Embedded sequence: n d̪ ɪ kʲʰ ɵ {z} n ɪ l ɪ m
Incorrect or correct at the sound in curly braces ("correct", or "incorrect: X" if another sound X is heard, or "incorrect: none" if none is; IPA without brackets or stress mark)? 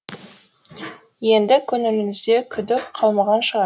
incorrect: none